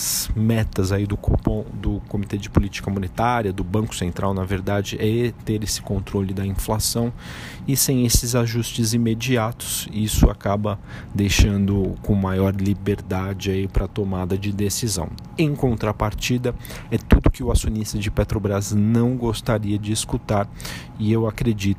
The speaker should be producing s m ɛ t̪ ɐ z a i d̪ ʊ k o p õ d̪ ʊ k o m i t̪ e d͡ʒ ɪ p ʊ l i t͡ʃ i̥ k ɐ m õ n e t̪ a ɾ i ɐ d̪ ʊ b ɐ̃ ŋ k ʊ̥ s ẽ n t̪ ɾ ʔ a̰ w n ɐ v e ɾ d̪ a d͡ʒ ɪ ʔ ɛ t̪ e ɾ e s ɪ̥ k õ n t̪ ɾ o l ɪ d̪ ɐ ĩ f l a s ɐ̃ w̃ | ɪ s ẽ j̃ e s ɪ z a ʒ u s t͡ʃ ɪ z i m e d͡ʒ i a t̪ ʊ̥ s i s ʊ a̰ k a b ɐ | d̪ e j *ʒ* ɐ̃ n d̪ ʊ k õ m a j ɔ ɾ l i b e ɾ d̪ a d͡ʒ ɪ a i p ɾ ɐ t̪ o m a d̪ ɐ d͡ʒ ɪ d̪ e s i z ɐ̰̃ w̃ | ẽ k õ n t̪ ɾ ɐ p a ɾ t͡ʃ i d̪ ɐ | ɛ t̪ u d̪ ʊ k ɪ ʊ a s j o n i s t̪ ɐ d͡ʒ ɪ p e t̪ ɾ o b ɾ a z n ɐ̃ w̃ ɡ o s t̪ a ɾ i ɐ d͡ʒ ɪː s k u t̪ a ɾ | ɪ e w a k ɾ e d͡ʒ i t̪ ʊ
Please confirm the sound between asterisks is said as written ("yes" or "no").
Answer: no